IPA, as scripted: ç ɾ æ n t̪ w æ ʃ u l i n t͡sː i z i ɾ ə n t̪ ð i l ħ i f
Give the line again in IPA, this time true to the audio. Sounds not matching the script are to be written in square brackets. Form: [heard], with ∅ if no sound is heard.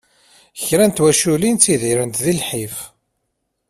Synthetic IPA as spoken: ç ɾ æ n t̪ w æ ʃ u l i n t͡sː i [ð] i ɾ ə n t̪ ð i l ħ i f

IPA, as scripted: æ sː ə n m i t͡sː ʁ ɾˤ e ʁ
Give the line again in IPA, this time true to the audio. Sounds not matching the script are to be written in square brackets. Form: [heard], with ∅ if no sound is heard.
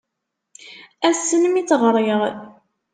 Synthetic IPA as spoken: æ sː ə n m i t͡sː ʁ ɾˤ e ʁ

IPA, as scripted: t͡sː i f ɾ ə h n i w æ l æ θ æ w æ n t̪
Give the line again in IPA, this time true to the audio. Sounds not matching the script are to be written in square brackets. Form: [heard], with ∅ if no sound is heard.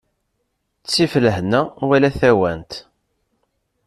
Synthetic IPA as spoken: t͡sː i f [l] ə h n [æ] w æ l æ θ æ w æ n t̪

